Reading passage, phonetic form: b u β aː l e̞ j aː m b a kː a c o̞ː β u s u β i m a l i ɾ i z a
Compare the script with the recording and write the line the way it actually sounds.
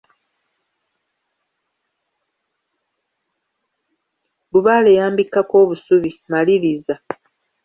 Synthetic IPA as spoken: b u β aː l e̞ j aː m b i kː a k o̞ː β u s u β i m a l i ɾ i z a